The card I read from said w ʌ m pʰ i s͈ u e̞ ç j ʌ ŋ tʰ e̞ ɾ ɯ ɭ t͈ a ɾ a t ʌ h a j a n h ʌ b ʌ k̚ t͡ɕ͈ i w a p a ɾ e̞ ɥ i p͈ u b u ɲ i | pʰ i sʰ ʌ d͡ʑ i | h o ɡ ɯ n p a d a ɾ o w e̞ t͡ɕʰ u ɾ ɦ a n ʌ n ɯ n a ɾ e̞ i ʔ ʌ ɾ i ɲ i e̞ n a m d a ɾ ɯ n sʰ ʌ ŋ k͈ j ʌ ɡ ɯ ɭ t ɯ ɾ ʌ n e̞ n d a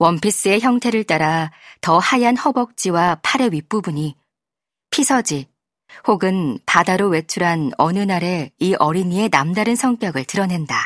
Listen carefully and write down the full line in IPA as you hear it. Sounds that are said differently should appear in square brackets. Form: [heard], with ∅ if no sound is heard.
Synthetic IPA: w ʌ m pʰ i s͈ [ɯ] e̞ ç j ʌ ŋ tʰ e̞ ɾ ɯ ɭ t͈ a ɾ a t ʌ h a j a n h ʌ b ʌ k̚ t͡ɕ͈ i w a [pʰ] a ɾ e̞ ɥ i p͈ u b u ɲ i | pʰ i sʰ ʌ d͡ʑ i | h o ɡ ɯ n p a d a ɾ o w e̞ t͡ɕʰ u ɾ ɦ a n ʌ n ɯ n a ɾ e̞ i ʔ ʌ ɾ i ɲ i e̞ n a m d a ɾ ɯ n sʰ ʌ ŋ k͈ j ʌ ɡ ɯ ɭ t ɯ ɾ ʌ n e̞ n d a